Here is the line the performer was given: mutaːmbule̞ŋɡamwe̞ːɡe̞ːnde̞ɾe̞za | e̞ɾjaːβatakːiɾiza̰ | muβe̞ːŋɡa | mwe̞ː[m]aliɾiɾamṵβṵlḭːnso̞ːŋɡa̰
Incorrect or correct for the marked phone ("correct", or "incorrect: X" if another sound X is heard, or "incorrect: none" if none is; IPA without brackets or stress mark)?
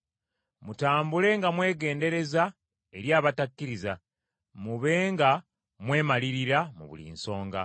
correct